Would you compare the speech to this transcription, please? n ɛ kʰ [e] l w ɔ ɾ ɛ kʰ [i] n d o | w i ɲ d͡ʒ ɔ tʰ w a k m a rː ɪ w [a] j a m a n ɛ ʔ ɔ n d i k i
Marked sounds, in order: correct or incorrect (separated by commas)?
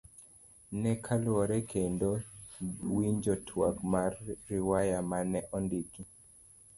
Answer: incorrect, incorrect, correct